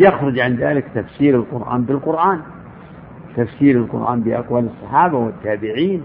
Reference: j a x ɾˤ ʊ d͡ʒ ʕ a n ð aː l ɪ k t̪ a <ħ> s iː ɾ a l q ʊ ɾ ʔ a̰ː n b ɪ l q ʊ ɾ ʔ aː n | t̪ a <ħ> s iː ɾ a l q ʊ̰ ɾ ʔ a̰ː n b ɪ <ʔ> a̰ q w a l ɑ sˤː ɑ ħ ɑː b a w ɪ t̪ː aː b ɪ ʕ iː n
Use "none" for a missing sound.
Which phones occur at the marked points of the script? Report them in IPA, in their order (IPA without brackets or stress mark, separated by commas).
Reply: f, f, ʔ